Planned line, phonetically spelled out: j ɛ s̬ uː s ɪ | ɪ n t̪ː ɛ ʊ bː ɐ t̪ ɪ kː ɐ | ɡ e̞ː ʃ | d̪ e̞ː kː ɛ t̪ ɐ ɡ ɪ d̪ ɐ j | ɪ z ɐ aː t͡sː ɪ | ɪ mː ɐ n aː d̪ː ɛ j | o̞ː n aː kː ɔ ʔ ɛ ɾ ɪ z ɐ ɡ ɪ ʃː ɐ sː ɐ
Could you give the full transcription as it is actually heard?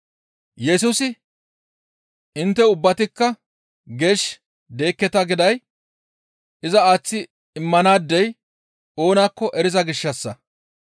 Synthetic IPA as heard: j ɛ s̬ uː s ɪ | ɪ n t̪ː ɛ ʊ bː ɐ t̪ ɪ kː ɐ | ɡ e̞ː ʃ | d̪ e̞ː kː ɛ t̪ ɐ ɡ ɪ d̪ ɐ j | ɪ z ɐ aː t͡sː ɪ | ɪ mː ɐ n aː d̪ː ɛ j | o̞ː n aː kː ɔ ʔ ɛ ɾ ɪ z ɐ ɡ ɪ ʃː ɐ sː ɐ